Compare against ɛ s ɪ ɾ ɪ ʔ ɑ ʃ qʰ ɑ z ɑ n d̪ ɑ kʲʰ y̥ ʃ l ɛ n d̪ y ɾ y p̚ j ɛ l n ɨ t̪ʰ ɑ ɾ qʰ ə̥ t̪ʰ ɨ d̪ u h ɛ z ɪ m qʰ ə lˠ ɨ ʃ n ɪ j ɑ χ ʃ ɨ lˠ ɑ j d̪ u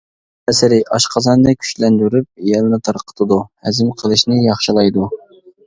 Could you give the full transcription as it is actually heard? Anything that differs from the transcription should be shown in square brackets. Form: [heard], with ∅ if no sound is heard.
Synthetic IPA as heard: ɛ s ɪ ɾ ɪ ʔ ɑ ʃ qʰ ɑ z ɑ n d̪ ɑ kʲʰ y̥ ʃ l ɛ n d̪ y ɾ y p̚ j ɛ l n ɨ t̪ʰ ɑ ɾ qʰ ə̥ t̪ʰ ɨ d̪ u h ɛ z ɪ m qʰ ə lˠ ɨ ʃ n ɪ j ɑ χ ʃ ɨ lˠ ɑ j d̪ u